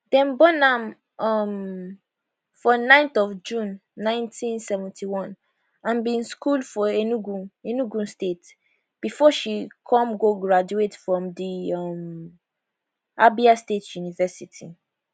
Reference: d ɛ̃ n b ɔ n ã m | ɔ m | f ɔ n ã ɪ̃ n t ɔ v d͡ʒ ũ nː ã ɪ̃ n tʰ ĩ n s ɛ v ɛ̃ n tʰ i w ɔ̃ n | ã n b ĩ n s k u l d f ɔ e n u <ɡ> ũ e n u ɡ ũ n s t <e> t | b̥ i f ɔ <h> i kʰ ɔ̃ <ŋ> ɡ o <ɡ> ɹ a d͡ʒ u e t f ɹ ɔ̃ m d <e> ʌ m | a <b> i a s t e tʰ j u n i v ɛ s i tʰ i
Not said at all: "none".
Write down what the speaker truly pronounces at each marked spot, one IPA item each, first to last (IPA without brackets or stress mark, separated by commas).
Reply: ɡ, e, ʃ, m, ɡ, i, b